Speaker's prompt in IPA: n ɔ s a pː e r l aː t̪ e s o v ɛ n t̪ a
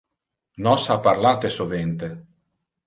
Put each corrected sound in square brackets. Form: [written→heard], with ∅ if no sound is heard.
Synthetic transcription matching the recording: n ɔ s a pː [e→a] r l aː t̪ e s o v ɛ n t̪ [a→e]